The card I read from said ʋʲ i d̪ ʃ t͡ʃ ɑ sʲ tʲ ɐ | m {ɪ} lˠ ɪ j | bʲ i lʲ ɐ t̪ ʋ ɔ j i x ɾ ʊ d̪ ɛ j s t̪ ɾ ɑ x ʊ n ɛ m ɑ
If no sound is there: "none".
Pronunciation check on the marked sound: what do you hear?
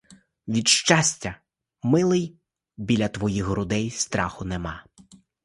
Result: ɪ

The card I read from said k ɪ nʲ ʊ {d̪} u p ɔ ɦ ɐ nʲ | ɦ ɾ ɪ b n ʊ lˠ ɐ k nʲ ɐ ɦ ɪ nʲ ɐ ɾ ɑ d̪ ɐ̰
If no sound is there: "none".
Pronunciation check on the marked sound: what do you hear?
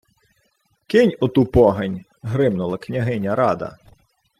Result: t̪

